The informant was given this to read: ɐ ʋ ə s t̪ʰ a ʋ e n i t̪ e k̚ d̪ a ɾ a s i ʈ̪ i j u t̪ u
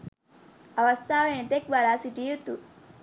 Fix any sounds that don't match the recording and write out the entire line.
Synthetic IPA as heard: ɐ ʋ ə s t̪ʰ a ʋ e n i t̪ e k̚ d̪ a ɾ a s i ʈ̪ i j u t̪ u